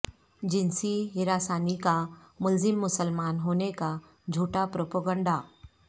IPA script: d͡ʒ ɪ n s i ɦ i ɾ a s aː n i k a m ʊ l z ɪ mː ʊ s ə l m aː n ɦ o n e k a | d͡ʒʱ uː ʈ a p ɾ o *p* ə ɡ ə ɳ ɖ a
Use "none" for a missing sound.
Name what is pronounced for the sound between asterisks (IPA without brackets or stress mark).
p